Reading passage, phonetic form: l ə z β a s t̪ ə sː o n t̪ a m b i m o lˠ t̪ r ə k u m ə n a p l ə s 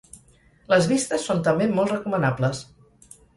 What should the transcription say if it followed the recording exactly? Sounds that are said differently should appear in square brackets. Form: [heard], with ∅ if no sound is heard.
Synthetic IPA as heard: l ə z β [i] s t̪ ə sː o n t̪ [ə] m b [e] m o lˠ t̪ r ə k u m ə n a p l ə s